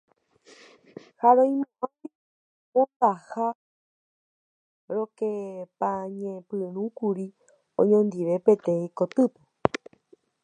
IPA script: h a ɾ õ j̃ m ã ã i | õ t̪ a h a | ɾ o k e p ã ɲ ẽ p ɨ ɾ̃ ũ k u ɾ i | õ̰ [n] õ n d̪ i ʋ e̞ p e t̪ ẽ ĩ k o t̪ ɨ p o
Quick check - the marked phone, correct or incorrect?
incorrect